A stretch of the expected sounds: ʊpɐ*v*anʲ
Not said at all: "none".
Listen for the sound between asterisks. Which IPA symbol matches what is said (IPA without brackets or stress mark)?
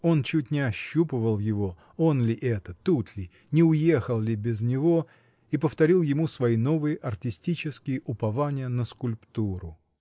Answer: v